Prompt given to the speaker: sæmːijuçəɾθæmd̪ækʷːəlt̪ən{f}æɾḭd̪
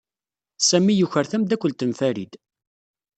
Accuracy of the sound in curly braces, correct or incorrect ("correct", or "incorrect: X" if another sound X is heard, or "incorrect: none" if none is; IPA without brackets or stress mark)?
correct